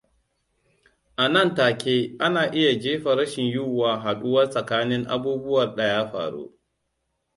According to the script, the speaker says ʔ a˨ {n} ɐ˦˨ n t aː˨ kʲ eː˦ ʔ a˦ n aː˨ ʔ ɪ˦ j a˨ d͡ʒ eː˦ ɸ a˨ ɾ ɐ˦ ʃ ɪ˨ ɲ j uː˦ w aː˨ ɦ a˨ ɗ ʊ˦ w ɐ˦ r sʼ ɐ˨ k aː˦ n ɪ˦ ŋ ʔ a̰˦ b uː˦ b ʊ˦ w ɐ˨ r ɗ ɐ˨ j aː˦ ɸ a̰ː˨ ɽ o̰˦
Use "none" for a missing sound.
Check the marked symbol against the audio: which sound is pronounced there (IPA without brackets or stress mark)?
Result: n